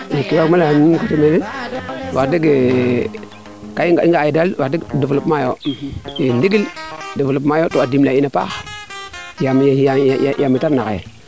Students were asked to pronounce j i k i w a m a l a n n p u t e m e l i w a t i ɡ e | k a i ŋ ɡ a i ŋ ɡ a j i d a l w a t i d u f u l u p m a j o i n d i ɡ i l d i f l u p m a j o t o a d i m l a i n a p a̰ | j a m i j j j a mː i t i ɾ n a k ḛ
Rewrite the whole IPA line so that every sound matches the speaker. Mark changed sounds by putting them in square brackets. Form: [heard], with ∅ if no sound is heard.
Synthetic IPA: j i k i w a m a l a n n [k] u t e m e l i w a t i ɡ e | k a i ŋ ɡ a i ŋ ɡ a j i d a l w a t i d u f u l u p m a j o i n d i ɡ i l d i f l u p m a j o t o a d i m l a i n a p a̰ | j a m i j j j a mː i t [a] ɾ n a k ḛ